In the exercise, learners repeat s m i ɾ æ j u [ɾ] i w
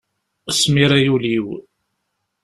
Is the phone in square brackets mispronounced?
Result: yes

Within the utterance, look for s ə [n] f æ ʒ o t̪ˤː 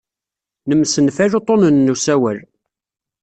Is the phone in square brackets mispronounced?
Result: no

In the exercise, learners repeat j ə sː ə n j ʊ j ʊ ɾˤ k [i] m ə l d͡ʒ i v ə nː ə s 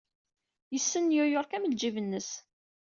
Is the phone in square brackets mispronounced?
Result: yes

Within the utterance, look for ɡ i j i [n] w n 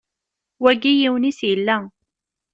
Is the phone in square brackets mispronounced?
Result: yes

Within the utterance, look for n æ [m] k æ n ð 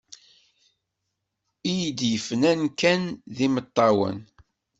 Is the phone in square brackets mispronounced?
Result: yes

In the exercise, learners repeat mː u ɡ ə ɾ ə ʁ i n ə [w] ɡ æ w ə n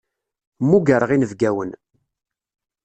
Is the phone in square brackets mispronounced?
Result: yes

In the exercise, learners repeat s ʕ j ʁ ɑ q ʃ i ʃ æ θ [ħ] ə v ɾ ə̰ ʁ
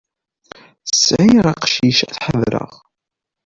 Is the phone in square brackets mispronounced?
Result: no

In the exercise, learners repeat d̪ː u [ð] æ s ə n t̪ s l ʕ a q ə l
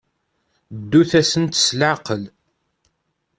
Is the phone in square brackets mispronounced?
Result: yes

